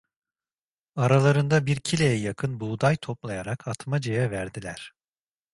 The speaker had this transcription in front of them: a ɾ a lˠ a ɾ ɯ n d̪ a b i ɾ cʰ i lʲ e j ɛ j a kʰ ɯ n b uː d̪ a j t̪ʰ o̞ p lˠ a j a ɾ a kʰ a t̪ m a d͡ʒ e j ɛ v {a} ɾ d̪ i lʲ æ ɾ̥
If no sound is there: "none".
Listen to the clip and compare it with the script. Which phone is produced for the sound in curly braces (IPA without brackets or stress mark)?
æ